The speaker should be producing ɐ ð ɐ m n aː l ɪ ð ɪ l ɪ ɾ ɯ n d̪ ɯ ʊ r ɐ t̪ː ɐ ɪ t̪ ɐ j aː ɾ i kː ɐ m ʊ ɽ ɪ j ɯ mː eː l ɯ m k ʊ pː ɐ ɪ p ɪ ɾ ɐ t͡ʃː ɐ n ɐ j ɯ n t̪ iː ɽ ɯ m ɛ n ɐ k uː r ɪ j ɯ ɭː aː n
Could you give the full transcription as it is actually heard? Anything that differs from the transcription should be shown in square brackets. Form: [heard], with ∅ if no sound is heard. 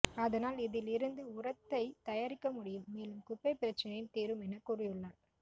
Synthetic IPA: ɐ ð ɐ [∅] n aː l ɪ ð ɪ l ɪ ɾ ɯ n d̪ ɯ ʊ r ɐ t̪ː ɐ ɪ t̪ ɐ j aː ɾ [ɪ] kː ɐ m ʊ ɽ ɪ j ɯ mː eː l ɯ m k ʊ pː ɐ ɪ p ɪ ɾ ɐ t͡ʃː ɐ n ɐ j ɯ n t̪ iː [ɾ] ɯ m ɛ n ɐ k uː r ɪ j ɯ ɭː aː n